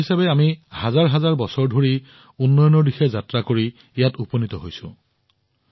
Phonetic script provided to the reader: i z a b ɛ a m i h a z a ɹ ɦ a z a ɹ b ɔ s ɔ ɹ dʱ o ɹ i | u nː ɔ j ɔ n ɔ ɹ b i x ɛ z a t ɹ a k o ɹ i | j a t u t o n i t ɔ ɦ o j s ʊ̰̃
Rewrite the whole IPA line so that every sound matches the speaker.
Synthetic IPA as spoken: i s a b ɛ a m i h a z a ɹ ɦ a z a ɹ b ɔ s ɔ ɹ dʱ o ɹ i | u nː ɔ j ɔ n ɔ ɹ d i x ɛ z a t ɹ a k o ɹ i | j a t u p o n i t ɔ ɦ o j s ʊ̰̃